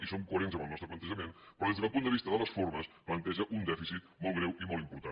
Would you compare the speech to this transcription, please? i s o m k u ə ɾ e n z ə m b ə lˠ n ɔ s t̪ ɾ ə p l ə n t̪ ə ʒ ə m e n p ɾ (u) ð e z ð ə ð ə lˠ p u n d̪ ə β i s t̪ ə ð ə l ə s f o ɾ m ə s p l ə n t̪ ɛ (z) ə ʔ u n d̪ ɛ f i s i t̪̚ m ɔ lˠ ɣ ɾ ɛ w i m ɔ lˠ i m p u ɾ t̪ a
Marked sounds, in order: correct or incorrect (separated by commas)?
incorrect, incorrect